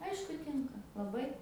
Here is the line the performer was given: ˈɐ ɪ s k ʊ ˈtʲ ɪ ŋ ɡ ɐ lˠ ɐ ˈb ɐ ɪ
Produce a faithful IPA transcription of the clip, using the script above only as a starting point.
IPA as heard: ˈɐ ɪ ʃ k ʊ ˈtʲ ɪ ŋ k ɐ lˠ ɐ ˈb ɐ ɪ